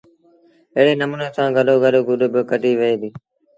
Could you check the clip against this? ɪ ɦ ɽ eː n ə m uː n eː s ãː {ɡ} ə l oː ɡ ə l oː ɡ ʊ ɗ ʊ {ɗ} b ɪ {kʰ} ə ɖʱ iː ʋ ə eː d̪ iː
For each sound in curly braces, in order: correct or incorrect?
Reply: correct, incorrect: none, incorrect: k

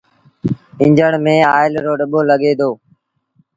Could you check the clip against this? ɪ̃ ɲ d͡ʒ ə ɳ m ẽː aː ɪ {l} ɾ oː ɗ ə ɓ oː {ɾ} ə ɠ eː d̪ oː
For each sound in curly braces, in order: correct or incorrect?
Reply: correct, incorrect: l

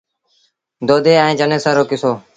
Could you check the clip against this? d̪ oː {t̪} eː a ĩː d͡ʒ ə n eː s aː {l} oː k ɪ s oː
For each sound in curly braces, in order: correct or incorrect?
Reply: incorrect: d̪, incorrect: ɾ

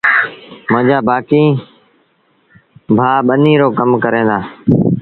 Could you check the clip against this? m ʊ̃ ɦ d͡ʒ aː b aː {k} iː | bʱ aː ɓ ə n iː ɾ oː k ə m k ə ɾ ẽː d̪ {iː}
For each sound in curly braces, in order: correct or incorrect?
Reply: correct, incorrect: aː

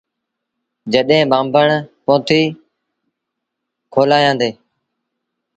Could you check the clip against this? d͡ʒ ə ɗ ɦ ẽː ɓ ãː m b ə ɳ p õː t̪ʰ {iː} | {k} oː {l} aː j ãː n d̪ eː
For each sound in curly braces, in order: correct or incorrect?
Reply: correct, incorrect: kʰ, correct

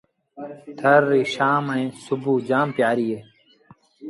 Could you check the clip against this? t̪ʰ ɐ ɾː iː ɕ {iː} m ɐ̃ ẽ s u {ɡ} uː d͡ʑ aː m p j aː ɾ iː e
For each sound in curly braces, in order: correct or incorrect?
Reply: incorrect: aː, incorrect: b

